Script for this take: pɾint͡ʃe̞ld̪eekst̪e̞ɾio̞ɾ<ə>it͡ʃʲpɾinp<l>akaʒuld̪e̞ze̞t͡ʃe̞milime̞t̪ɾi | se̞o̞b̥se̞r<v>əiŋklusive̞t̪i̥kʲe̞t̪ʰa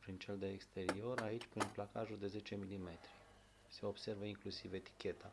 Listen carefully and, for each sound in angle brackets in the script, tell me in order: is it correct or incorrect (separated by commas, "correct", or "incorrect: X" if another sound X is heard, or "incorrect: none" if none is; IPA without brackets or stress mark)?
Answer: incorrect: a, correct, correct